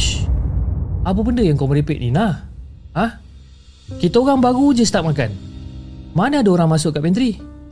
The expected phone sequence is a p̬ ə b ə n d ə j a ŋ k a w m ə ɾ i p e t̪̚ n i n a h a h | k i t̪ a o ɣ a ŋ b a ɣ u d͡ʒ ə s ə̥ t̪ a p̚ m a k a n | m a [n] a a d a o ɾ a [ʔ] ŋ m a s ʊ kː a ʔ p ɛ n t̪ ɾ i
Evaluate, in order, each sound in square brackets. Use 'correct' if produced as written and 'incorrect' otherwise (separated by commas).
correct, incorrect